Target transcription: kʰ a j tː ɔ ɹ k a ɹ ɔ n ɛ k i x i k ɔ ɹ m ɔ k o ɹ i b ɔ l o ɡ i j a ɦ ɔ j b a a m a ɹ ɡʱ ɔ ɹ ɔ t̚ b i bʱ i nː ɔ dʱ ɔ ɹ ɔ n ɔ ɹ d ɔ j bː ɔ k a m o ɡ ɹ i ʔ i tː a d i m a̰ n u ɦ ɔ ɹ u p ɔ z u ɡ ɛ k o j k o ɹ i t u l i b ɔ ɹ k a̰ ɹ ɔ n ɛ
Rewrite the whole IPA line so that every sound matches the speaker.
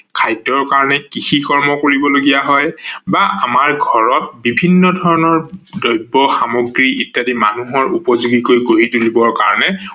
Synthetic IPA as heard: kʰ a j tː ɔ ɹ k a ɹ ɔ n ɛ k i x i k ɔ ɹ m ɔ k o ɹ i b ɔ l o ɡ i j a ɦ ɔ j b a a m a ɹ ɡʱ ɔ ɹ ɔ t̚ b i bʱ i nː ɔ dʱ ɔ ɹ ɔ n ɔ ɹ d ɔ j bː ɔ x a m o ɡ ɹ i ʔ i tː a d i m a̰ n u ɦ ɔ ɹ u p ɔ z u ɡ i k o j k o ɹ i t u l i b ɔ ɹ k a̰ ɹ ɔ n ɛ